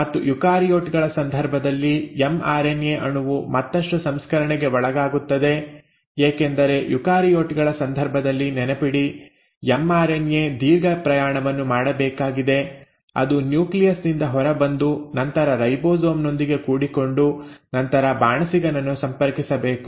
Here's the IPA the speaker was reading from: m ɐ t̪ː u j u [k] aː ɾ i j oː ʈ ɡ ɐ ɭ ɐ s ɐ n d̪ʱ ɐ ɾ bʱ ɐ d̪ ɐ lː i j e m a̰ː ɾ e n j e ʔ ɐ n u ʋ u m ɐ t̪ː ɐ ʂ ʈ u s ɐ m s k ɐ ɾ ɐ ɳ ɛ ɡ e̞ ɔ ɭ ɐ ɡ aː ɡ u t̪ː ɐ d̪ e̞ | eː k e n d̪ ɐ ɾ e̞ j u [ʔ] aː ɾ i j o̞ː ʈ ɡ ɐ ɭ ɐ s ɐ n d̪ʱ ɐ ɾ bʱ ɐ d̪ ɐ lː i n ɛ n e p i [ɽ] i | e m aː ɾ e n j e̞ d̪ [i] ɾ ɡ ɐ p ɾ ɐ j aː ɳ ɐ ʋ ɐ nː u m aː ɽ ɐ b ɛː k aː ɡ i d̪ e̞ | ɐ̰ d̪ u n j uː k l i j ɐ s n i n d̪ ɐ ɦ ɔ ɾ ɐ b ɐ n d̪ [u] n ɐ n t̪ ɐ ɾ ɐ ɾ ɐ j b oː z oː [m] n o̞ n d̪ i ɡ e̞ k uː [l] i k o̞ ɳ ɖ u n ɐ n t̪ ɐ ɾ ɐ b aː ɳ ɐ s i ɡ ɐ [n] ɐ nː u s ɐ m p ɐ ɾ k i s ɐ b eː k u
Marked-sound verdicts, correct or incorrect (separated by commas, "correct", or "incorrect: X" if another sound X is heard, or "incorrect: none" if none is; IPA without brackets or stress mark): correct, incorrect: k, correct, incorrect: iː, correct, correct, incorrect: ɽ, correct